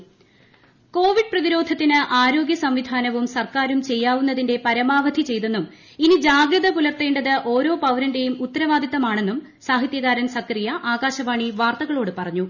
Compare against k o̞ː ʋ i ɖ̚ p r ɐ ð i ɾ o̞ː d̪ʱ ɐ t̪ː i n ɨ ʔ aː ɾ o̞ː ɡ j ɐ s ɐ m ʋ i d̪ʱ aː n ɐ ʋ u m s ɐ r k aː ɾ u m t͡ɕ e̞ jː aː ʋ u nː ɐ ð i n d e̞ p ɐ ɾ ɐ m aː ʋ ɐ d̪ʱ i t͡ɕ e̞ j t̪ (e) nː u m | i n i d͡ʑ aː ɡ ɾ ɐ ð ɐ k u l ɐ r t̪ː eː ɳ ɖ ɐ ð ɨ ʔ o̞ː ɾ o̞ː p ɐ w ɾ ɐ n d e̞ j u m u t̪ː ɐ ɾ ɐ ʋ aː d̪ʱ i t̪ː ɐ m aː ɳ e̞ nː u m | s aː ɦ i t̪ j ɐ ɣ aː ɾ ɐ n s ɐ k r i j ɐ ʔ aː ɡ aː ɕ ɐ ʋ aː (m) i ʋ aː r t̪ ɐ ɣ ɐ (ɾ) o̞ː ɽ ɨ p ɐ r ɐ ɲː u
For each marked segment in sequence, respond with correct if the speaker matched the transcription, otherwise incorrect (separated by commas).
correct, incorrect, incorrect